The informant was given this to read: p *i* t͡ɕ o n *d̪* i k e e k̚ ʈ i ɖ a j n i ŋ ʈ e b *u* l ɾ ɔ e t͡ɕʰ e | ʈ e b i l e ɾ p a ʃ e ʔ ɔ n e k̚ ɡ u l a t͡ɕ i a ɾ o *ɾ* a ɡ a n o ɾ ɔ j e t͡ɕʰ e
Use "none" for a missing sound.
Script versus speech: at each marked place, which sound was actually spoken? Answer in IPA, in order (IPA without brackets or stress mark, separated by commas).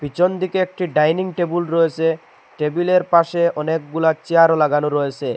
i, d̪, u, l